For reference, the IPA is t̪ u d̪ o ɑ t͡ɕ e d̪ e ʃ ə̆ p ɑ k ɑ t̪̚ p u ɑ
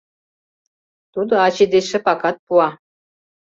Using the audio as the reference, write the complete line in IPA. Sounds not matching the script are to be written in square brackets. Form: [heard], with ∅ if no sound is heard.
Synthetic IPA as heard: t̪ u d̪ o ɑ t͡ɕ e d̪ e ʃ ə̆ p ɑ k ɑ t̪̚ p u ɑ